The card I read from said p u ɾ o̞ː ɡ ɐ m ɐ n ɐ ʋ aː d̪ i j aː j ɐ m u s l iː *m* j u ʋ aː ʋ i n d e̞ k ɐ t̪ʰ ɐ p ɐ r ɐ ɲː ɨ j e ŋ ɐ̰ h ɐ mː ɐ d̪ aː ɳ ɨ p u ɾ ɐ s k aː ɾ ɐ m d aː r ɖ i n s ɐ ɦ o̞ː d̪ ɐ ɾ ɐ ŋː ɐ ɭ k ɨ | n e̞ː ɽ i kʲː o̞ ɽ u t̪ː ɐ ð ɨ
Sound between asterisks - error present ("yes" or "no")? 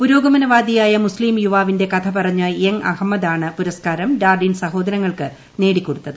no